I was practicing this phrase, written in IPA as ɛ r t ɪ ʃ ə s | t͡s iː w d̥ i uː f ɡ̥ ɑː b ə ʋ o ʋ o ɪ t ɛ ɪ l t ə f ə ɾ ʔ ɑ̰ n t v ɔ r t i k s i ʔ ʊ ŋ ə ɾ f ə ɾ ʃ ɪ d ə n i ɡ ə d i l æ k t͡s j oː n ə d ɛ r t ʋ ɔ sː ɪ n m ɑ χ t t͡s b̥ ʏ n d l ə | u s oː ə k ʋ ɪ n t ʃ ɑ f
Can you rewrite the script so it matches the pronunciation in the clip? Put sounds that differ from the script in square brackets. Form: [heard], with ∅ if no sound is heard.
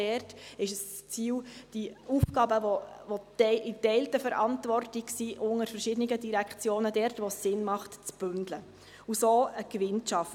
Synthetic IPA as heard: ɛ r t ɪ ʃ ə s | t͡s iː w d̥ i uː f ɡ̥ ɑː b ə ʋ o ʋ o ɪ t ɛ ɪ l t ə f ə ɾ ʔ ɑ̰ n t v ɔ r t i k s i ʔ ʊ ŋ ə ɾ f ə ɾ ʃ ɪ d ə n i ɡ ə d i [ɾ] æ k t͡s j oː n ə d ɛ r t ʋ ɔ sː ɪ n m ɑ χ t t͡s b̥ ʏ n d l ə | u s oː ə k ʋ ɪ n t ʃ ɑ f